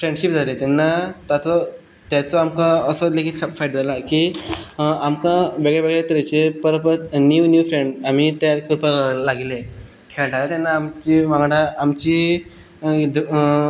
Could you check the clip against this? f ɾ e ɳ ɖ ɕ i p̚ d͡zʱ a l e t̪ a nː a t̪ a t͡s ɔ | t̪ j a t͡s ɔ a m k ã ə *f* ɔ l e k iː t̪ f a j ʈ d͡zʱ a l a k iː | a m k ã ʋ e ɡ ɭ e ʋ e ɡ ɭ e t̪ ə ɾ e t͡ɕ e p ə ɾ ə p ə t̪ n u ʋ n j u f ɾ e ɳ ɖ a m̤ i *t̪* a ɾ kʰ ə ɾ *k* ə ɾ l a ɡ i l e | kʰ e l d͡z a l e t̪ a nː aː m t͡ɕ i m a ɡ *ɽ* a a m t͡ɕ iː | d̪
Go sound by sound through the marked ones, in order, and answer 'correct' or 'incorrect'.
incorrect: s, correct, incorrect: p, correct

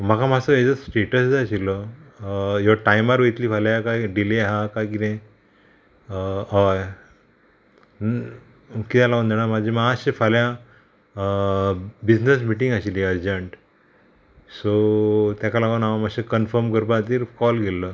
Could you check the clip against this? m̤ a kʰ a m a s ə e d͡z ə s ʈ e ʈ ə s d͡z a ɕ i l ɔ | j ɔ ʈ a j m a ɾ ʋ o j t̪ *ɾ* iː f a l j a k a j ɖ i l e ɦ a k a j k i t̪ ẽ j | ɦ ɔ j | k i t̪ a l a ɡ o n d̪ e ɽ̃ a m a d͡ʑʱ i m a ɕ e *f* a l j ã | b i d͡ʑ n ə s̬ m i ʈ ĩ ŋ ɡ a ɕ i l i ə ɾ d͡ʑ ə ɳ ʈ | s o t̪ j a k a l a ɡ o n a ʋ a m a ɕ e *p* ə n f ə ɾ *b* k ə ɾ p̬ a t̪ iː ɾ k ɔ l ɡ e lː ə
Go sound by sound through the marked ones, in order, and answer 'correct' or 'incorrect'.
incorrect: l, correct, incorrect: k, incorrect: m

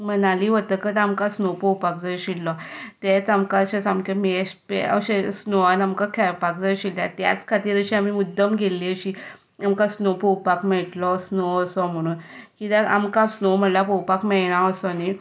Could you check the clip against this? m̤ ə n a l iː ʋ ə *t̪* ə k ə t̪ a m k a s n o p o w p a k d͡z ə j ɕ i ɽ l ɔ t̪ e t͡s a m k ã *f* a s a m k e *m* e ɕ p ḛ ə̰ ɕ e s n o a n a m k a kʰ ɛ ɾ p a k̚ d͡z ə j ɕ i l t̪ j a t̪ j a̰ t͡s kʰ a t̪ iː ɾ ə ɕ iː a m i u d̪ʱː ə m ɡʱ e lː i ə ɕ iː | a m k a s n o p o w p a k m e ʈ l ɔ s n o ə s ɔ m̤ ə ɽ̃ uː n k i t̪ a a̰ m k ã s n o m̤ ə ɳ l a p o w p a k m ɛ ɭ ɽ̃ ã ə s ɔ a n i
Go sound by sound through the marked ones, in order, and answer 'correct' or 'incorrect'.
correct, incorrect: ɕ, correct

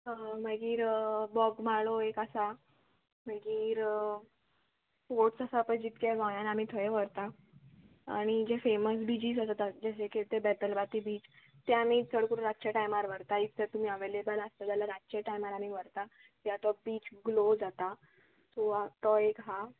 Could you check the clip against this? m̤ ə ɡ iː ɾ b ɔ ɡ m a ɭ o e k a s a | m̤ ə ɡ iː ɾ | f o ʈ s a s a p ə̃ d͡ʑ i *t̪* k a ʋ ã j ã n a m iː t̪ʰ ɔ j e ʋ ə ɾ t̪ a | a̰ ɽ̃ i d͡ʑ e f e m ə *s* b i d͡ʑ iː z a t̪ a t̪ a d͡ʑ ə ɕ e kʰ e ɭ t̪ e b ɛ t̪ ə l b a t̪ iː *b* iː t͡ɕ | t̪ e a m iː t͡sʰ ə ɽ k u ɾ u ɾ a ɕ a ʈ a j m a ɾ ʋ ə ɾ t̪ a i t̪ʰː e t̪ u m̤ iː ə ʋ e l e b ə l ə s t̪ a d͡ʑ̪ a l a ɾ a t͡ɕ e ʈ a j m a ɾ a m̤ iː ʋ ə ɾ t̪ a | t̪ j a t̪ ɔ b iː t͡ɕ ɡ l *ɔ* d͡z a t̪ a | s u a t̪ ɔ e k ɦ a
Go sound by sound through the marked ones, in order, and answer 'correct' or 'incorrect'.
correct, correct, correct, incorrect: o

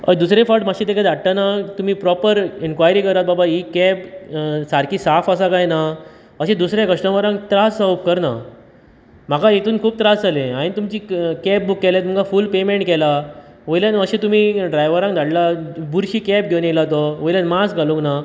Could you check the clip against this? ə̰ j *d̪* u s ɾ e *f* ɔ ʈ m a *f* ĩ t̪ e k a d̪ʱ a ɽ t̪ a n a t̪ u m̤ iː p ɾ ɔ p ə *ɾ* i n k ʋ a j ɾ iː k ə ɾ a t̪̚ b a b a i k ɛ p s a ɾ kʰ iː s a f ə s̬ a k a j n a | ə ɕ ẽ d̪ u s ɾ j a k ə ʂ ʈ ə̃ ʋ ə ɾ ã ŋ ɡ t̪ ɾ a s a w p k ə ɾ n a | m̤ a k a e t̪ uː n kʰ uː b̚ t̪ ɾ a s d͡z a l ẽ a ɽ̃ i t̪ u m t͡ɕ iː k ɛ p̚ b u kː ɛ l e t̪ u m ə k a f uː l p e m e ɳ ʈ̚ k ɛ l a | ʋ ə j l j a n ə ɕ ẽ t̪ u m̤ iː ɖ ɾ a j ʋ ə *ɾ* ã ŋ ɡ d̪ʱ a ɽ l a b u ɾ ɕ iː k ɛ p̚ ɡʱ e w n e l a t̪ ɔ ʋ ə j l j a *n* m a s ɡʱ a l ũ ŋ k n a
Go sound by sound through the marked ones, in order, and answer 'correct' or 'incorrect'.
correct, correct, incorrect: ɕ, correct, correct, correct

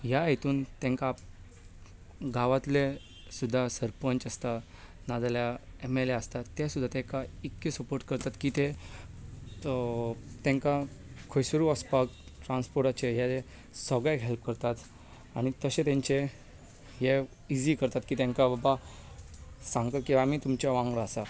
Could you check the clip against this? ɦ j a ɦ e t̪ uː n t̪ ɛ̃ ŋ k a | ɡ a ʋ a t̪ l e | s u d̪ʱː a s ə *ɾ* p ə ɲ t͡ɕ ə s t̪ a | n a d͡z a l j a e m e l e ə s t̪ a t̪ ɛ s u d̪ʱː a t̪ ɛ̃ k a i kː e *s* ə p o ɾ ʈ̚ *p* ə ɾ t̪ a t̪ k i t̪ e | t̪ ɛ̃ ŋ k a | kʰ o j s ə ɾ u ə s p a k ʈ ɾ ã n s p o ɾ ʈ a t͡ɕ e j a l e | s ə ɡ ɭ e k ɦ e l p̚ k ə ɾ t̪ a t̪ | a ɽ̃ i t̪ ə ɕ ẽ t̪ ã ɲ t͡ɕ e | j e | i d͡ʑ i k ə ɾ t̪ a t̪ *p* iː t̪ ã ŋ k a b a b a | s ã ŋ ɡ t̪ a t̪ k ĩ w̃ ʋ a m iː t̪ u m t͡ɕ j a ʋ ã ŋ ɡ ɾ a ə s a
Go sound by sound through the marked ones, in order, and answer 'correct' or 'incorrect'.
correct, correct, incorrect: k, incorrect: k

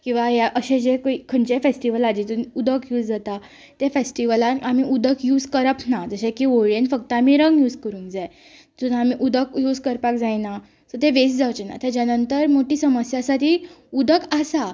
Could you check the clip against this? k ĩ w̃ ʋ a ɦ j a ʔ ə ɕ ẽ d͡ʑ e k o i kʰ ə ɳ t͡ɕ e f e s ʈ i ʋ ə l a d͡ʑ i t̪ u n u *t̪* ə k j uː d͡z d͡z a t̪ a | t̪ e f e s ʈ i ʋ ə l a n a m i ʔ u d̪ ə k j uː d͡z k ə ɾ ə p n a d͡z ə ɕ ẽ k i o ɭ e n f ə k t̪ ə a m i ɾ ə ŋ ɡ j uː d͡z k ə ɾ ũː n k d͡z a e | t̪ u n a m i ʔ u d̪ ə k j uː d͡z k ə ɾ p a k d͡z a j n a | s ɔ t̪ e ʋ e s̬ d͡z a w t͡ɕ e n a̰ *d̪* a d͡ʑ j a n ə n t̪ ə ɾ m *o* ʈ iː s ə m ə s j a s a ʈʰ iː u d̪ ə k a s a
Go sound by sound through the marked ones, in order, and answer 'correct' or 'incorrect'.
incorrect: d̪, incorrect: t̪, correct

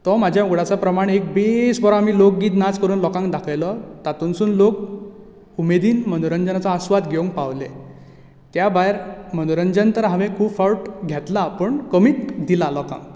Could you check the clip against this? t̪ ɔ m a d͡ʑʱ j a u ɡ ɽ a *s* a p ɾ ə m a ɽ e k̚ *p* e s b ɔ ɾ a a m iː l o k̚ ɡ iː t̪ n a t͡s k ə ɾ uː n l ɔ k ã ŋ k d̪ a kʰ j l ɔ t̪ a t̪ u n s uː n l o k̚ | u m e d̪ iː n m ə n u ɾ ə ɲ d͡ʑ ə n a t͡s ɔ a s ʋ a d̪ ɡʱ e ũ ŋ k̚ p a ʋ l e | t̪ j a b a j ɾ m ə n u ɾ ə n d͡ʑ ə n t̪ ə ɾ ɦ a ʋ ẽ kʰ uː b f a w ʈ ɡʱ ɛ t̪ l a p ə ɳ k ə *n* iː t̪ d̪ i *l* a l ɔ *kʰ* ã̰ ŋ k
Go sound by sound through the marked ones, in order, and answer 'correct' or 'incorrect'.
incorrect: t͡s, incorrect: b, incorrect: m, correct, incorrect: k

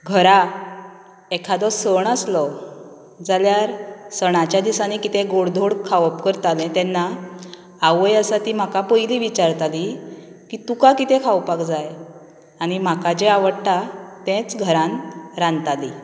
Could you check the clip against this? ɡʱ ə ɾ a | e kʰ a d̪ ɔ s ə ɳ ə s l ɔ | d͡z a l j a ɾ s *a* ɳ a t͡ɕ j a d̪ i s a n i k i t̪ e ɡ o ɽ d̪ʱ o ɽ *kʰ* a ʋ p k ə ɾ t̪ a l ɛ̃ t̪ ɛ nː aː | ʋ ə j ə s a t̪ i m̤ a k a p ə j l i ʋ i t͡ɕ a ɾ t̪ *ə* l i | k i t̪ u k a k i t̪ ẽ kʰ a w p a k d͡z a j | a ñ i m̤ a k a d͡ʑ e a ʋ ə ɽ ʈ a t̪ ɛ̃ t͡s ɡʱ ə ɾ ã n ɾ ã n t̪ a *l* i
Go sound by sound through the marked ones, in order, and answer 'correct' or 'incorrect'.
incorrect: ə, correct, incorrect: a, correct

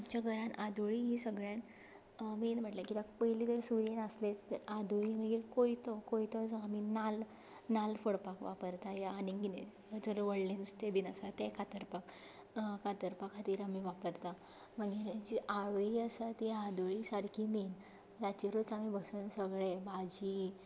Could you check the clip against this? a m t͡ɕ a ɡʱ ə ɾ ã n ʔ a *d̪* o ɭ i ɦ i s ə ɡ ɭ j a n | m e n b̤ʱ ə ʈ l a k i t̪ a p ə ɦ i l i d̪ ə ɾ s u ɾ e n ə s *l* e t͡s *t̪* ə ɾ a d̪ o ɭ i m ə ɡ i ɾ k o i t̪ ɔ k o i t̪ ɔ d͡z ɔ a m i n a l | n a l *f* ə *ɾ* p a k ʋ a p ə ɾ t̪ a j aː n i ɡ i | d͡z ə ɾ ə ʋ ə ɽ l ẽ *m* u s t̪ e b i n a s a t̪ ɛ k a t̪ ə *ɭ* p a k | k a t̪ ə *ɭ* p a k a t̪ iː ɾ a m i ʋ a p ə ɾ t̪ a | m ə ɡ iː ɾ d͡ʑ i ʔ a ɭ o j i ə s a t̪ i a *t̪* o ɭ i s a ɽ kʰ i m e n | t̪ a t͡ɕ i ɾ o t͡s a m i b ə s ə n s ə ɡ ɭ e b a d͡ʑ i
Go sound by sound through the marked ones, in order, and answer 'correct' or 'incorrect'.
correct, correct, correct, correct, incorrect: ɽ, incorrect: n, incorrect: ɾ, incorrect: ɾ, incorrect: d̪

